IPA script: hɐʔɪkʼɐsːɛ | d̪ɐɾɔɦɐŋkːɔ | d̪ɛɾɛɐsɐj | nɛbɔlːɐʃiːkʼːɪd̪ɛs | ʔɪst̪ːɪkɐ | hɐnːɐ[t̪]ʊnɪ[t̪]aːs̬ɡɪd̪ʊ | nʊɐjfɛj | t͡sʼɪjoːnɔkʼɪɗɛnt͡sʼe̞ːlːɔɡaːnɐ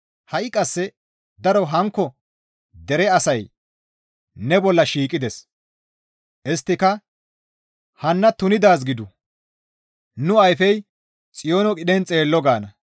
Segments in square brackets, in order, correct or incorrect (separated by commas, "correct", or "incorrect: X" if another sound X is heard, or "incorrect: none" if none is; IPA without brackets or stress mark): correct, incorrect: d̪